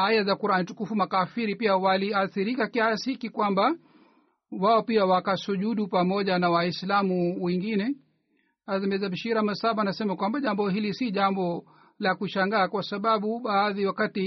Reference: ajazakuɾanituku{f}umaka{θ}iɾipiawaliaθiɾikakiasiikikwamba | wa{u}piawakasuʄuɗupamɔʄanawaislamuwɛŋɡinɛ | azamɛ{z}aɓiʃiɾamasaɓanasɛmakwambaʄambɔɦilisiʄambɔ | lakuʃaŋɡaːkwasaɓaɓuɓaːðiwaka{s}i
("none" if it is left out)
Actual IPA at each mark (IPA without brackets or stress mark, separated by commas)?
f, f, ɔ, z, t